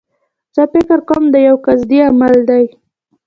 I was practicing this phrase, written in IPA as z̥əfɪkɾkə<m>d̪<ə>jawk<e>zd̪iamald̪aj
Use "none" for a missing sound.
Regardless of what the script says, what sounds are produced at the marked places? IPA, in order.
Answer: m, ə, a

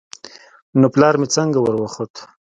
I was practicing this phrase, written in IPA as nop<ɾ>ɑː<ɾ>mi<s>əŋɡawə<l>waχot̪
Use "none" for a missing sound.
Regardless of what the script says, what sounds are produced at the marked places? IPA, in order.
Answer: l, ɾ, t͡s, ɾ

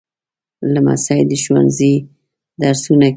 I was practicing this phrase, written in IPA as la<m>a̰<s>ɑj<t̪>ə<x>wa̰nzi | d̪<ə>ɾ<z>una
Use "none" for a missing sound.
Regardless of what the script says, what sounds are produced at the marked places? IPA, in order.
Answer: m, s, d̪, ʃ, a, s

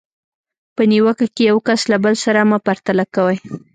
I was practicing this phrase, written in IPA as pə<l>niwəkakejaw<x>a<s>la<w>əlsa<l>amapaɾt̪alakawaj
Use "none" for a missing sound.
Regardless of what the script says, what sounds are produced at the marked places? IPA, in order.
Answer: none, k, s, b, ɾ

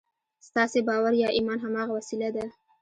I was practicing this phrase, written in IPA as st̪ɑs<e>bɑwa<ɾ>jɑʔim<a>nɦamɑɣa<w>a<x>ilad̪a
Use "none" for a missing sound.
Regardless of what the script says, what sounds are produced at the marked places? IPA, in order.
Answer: e, ɾ, ɑ, w, s

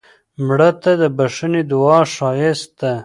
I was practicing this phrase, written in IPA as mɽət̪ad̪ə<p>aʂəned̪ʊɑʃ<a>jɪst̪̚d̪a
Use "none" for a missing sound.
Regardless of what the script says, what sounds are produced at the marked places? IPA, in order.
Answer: b, ɑ

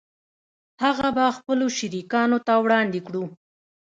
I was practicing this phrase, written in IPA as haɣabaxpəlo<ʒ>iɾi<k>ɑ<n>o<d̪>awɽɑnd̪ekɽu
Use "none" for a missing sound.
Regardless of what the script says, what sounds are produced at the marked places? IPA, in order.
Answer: ʃ, k, n, t̪

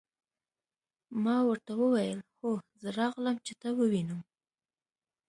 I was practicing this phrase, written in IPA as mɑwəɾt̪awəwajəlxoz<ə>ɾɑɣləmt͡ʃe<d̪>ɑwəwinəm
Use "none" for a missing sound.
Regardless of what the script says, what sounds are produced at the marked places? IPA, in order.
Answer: ə, t̪

